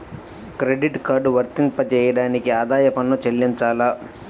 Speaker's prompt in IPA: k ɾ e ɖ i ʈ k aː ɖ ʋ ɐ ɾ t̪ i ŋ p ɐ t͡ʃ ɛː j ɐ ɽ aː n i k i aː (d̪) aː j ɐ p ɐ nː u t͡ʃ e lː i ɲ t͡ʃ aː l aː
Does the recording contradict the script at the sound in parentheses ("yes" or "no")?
no